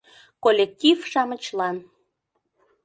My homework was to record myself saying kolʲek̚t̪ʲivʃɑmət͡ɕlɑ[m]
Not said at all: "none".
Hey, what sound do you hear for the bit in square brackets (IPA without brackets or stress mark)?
n